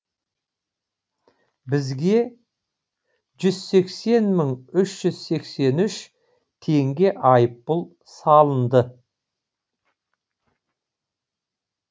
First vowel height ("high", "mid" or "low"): high